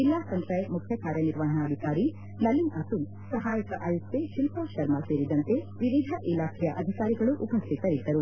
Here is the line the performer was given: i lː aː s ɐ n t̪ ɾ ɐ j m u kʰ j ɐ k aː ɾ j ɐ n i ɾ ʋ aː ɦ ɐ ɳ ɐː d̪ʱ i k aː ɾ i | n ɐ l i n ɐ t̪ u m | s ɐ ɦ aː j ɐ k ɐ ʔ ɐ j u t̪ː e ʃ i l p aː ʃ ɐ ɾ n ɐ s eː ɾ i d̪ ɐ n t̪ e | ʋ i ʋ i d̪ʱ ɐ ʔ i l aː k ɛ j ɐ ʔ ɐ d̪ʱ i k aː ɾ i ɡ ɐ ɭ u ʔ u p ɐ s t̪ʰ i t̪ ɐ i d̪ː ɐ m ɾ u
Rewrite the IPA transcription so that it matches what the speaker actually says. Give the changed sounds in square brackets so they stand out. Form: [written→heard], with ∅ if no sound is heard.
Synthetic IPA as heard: i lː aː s ɐ n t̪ ɾ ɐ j m u kʰ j ɐ k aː ɾ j ɐ n i ɾ ʋ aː ɦ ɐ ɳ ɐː d̪ʱ i k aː ɾ i | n ɐ l i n ɐ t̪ u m | s ɐ ɦ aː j ɐ k ɐ ʔ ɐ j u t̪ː e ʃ i l p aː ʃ ɐ ɾ [n→m] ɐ s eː ɾ i d̪ ɐ n t̪ e | ʋ i ʋ i d̪ʱ ɐ ʔ i l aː [k→kʰ] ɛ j ɐ ʔ ɐ d̪ʱ i k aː ɾ i ɡ ɐ ɭ u ʔ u p ɐ s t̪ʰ i t̪ ɐ i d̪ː ɐ [m→∅] ɾ u